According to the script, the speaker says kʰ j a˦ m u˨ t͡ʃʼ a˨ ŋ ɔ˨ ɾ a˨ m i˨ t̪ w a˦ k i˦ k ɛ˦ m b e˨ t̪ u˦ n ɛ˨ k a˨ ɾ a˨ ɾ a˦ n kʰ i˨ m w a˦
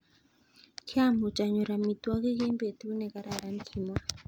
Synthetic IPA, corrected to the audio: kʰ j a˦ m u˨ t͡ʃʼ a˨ ɲ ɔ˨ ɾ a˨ m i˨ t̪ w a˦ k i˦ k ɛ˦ m b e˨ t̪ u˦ n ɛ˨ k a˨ ɾ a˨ ɾ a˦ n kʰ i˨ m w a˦